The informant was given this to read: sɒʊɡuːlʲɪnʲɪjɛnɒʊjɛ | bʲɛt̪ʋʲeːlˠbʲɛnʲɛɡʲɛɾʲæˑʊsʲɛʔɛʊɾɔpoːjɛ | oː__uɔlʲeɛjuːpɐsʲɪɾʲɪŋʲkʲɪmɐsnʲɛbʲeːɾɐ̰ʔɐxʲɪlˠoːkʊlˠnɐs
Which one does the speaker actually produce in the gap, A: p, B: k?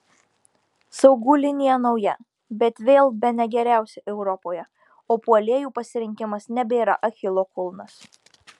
A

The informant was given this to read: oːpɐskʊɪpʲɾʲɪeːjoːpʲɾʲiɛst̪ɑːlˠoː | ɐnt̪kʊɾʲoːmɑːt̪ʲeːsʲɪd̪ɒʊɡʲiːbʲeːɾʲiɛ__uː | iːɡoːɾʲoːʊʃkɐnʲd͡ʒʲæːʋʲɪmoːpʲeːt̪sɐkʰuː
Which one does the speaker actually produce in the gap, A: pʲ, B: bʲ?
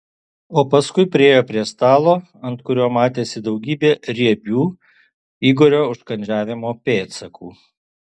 B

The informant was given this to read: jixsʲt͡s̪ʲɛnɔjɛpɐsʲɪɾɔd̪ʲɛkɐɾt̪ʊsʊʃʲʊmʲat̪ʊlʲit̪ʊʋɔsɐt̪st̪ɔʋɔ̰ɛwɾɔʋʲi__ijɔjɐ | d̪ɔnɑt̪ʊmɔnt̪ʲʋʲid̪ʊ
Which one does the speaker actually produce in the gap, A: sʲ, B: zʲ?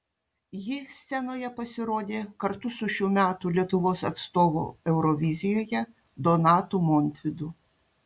B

